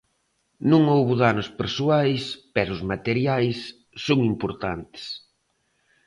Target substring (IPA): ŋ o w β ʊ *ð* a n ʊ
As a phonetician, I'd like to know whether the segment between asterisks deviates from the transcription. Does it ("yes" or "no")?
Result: no